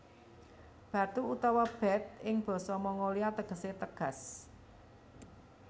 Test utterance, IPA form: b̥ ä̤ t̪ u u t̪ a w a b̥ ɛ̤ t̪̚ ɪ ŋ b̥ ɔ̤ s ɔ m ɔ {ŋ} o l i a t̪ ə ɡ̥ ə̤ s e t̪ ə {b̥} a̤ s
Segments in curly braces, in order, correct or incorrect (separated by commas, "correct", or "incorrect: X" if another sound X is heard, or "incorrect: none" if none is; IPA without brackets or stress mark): correct, incorrect: ɡ̥